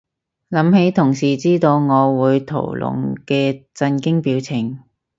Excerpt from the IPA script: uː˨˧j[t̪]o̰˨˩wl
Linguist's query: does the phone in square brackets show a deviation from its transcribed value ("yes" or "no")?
yes